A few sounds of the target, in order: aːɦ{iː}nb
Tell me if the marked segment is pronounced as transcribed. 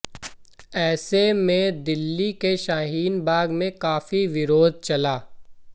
yes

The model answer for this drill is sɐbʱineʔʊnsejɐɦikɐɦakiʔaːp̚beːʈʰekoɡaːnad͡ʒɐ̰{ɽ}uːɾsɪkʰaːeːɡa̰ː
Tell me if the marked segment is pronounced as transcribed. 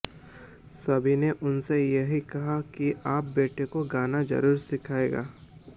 no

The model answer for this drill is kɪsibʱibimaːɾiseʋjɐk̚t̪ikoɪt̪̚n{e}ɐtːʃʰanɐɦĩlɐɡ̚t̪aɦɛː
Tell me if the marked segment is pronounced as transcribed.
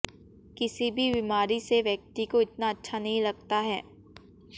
no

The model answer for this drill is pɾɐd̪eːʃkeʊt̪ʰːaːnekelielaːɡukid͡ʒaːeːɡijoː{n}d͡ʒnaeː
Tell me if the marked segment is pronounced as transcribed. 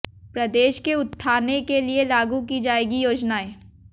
no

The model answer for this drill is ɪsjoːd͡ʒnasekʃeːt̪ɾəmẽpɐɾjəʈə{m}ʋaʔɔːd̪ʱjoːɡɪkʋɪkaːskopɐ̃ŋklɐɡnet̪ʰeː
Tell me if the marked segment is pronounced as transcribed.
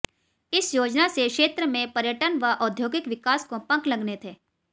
no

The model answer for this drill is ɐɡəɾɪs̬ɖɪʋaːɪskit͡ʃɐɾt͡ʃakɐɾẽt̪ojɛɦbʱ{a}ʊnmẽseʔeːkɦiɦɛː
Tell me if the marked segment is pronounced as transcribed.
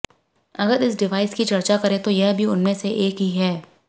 no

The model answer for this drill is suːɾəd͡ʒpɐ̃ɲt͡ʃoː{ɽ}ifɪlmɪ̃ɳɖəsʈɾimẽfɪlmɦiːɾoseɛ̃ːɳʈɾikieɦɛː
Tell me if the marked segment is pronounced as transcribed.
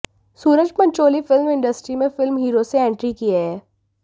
no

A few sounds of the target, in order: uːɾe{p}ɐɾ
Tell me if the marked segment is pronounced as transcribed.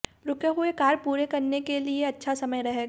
no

